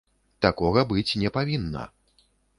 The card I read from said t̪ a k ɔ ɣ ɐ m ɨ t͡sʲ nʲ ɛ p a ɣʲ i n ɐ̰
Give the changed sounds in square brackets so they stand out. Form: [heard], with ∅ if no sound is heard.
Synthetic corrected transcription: t̪ a k ɔ ɣ ɐ [b] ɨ t͡sʲ nʲ ɛ p a [vʲ] i [nː] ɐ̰